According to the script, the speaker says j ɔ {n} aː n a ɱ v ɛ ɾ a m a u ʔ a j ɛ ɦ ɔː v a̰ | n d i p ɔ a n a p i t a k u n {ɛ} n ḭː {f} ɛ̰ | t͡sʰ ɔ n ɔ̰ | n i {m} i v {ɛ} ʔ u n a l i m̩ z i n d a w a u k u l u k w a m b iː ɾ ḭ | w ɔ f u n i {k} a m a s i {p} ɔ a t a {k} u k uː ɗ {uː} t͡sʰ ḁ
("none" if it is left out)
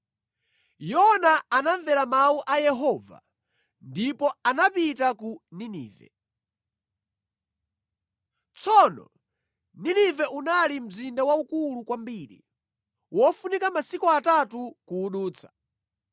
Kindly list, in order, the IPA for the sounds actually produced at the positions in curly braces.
n, i, v, n, ɛ, k, k, t, uː

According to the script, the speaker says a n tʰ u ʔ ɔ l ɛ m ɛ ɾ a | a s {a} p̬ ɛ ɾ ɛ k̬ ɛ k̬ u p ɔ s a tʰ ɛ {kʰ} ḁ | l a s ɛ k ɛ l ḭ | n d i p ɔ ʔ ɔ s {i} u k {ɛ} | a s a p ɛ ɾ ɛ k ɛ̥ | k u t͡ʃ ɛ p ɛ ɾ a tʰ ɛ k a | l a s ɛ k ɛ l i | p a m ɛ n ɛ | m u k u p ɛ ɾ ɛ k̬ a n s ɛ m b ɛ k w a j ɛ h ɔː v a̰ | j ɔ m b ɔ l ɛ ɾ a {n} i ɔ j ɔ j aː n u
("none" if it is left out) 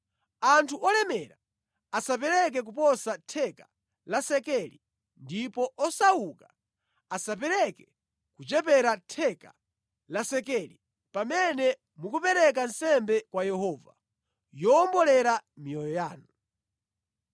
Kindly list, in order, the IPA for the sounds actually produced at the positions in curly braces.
a, k, a, a, m

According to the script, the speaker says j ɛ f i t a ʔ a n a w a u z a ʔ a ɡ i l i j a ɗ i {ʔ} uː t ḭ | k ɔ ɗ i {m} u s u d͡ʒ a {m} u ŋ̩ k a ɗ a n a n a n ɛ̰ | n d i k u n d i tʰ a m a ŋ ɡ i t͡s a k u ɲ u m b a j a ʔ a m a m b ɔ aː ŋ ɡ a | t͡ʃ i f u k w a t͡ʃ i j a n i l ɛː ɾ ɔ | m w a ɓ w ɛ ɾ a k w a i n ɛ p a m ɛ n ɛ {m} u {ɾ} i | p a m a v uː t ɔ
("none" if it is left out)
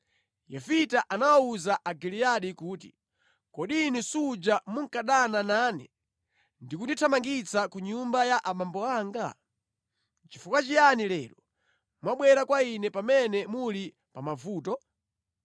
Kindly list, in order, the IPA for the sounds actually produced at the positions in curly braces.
k, n, m, m, l

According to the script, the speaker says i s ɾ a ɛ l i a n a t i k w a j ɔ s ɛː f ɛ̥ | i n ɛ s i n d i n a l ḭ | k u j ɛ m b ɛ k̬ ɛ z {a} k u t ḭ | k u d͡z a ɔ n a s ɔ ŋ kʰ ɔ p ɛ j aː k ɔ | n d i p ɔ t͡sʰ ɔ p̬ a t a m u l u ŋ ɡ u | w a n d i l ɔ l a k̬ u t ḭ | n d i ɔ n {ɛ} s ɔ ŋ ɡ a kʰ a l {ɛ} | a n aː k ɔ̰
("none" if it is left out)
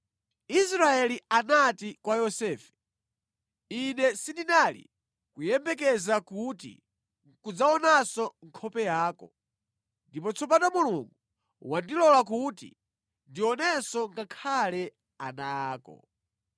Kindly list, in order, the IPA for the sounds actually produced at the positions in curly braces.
a, ɛ, ɛ

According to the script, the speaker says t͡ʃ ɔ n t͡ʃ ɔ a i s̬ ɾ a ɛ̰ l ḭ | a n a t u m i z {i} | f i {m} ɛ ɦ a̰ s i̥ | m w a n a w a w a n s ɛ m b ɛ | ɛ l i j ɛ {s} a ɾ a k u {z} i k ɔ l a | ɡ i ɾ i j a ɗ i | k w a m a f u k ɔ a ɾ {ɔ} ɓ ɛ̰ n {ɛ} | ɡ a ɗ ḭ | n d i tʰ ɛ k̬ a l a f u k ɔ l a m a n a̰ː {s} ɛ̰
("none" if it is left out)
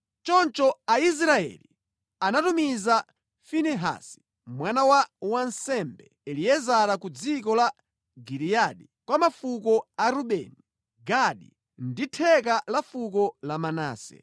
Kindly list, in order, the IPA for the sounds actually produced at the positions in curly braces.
a, n, z, d͡z, u, i, s

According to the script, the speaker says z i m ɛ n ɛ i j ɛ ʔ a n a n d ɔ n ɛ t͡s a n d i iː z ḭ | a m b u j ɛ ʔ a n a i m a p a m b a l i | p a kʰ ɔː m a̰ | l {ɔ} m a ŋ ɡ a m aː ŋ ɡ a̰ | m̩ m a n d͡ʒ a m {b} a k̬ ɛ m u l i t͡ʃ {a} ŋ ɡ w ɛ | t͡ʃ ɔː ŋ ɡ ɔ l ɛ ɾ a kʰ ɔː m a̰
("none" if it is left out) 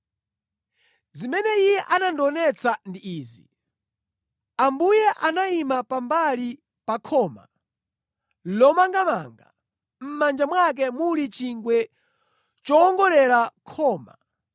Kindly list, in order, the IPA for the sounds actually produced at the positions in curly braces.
ɔ, w, i

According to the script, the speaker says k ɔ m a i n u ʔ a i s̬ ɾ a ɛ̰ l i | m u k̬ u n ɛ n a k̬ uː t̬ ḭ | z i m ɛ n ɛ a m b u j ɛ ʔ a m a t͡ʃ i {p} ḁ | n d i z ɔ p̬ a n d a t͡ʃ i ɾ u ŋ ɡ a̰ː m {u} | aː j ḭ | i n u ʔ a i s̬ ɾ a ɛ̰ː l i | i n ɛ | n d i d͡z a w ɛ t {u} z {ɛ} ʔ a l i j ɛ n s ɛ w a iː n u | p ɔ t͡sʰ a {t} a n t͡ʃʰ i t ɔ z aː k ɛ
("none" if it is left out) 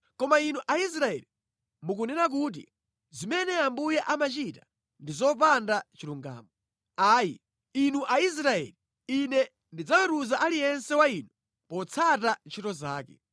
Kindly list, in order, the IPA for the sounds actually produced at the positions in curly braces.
t, ɔ, u, a, t

